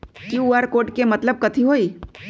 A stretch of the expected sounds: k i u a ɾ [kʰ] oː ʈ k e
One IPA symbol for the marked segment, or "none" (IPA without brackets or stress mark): k